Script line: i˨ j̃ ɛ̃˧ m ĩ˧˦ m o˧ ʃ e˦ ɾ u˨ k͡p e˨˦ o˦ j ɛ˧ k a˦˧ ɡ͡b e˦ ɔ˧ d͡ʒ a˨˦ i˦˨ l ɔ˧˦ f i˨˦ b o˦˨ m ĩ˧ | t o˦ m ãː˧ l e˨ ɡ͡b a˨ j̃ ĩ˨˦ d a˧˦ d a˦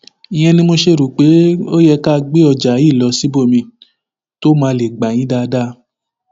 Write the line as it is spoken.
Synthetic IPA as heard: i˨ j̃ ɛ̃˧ n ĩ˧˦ m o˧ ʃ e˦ ɾ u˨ k͡p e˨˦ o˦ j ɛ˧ k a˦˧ ɡ͡b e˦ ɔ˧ d͡ʒ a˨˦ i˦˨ l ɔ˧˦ s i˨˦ b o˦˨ m ĩ˧ | t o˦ m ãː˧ l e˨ ɡ͡b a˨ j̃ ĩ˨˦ d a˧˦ d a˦